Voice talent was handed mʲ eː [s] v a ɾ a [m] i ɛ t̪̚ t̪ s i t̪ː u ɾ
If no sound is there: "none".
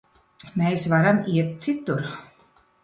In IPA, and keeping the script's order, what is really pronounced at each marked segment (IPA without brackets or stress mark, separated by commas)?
s, m